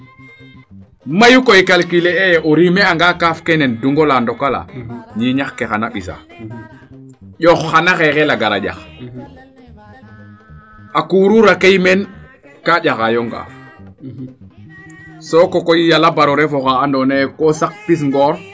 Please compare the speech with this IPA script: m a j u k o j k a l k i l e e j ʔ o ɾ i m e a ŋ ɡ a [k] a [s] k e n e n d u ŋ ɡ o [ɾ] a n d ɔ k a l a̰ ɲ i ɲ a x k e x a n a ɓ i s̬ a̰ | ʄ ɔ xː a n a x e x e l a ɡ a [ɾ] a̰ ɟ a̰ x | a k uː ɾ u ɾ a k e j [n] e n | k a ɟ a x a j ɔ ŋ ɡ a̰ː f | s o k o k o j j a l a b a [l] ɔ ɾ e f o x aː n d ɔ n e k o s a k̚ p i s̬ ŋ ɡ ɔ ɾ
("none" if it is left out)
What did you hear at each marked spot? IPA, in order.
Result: k, f, l, ɾ, m, ɾ

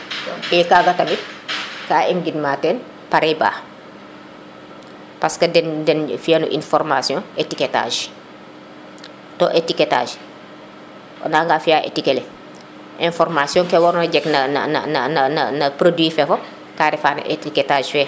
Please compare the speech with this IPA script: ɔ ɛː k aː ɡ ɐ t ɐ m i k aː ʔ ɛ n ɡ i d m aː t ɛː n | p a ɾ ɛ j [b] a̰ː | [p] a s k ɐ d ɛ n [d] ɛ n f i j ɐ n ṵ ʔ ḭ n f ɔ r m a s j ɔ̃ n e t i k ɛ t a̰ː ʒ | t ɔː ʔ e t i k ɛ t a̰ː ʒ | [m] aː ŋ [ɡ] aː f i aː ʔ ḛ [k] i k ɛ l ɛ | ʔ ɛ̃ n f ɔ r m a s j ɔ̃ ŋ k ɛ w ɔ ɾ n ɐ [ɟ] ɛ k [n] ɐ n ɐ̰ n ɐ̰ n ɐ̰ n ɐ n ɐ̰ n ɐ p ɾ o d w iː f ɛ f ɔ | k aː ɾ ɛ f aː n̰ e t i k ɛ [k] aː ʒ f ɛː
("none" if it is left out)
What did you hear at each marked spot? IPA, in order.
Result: b, p, d, n, ɡ, t, ɟ, n, t

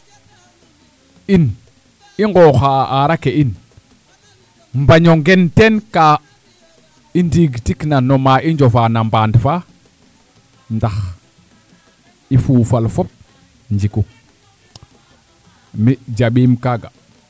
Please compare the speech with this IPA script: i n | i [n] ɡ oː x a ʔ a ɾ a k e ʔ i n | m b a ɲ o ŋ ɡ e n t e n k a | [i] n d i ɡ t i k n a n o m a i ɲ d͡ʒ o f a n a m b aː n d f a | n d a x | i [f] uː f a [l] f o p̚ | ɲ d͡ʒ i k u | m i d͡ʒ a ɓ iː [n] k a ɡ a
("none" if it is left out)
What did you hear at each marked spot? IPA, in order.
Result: ŋ, i, f, l, m

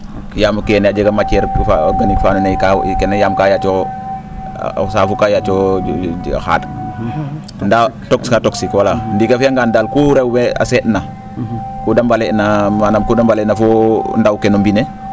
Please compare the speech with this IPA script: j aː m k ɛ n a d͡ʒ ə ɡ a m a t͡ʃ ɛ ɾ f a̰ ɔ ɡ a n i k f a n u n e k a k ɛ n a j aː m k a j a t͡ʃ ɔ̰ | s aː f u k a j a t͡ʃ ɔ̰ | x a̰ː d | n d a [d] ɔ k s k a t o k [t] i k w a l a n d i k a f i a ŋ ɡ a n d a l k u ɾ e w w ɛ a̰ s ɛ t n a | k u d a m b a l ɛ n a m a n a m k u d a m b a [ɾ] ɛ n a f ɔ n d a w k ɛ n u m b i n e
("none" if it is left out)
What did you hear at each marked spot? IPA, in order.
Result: t, s, l

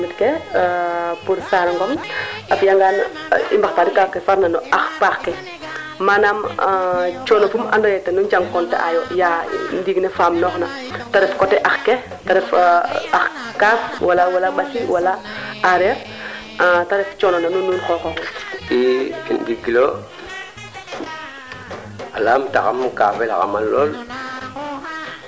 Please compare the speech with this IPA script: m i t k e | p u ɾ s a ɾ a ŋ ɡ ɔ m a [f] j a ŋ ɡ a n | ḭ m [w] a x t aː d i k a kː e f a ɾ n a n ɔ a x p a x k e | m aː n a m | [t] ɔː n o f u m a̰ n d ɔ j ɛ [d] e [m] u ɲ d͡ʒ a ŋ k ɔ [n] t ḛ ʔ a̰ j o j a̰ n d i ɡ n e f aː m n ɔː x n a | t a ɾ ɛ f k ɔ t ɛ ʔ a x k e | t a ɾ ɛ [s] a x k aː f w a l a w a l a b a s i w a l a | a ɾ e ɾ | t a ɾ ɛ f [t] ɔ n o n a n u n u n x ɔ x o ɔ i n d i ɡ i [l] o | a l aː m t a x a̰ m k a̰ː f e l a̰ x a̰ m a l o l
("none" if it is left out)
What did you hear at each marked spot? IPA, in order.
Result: f, b, t͡ʃ, t, n, n, f, t͡ʃ, l

